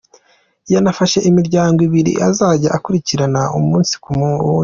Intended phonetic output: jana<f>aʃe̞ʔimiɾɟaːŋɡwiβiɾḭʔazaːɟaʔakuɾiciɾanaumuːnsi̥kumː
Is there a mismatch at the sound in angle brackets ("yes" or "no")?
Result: no